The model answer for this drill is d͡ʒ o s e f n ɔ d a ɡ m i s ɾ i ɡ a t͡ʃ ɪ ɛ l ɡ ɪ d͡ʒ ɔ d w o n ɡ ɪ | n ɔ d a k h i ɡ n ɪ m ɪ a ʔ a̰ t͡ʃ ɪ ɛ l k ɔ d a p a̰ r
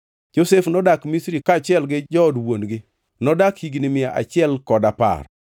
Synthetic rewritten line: d͡ʒ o s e f n ɔ d a k m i s ɾ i k a t͡ʃ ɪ ɛ l ɡ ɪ d͡ʒ ɔ d w o n ɡ ɪ | n ɔ d a k h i ɡ n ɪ m ɪ a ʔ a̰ t͡ʃ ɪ ɛ l k ɔ d a p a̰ r